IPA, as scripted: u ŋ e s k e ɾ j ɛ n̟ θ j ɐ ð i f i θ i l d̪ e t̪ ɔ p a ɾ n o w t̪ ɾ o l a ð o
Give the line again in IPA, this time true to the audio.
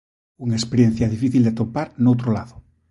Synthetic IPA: u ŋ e s p e ɾ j e n̟ θ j a ð i f i θ i l d̪ e t̪ o p a ɾ n o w t̪ ɾ o l a ð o